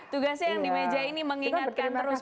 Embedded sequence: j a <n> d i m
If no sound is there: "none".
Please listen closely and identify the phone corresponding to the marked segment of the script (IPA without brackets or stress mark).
ŋ